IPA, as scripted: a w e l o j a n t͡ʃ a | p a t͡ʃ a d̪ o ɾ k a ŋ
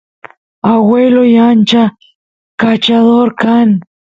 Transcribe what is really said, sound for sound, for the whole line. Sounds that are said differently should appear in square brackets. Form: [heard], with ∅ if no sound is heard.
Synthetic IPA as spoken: a w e l o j a n t͡ʃ a | [k] a t͡ʃ a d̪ o ɾ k a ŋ